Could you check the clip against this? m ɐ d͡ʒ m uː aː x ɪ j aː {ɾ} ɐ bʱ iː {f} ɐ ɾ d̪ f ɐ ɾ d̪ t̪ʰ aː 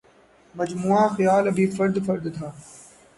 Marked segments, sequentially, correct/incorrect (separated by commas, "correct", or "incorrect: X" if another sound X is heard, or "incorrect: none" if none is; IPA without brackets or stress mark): incorrect: l, correct